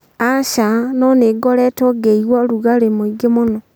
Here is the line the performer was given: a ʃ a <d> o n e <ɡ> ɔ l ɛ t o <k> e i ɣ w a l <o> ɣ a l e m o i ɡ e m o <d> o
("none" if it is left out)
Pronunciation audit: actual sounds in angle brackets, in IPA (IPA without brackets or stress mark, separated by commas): n, ɡ, ɡ, u, n